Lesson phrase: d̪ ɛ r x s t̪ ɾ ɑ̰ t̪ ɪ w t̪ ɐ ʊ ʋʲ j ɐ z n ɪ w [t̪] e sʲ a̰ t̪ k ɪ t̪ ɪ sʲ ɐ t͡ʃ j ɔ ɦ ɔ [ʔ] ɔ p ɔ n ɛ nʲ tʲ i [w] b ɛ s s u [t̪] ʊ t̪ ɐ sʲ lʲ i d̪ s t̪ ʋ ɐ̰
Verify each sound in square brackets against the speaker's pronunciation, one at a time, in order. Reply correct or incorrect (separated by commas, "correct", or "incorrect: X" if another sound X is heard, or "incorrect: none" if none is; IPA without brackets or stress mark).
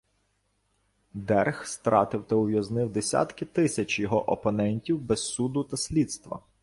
incorrect: d̪, correct, correct, incorrect: d̪